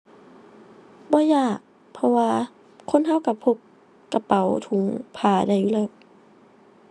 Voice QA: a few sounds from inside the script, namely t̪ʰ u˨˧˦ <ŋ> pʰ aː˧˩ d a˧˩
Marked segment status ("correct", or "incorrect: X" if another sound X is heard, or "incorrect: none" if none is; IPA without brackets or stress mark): correct